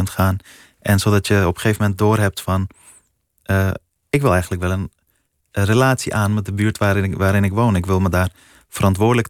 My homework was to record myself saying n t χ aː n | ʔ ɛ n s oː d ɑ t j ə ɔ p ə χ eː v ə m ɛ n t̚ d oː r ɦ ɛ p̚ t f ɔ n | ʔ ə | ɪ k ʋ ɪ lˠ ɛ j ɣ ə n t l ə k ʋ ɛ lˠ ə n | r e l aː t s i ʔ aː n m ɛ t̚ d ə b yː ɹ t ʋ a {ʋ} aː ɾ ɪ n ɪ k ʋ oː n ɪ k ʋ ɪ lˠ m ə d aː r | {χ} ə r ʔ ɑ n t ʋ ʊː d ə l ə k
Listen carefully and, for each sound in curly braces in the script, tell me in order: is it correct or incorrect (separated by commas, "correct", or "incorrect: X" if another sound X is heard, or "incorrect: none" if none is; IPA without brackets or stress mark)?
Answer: correct, incorrect: f